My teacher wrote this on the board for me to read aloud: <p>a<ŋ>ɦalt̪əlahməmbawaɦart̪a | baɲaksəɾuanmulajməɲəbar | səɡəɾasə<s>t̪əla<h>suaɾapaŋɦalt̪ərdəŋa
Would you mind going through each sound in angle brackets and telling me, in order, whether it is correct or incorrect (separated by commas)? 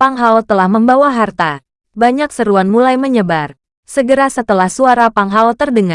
correct, correct, incorrect, correct